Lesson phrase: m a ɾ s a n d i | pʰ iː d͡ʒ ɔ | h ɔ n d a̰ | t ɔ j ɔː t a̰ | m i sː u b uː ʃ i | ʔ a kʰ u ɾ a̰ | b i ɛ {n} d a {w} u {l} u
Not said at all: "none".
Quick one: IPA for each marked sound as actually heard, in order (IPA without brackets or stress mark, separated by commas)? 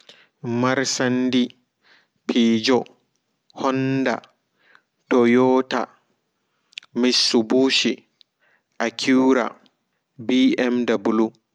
m, b, l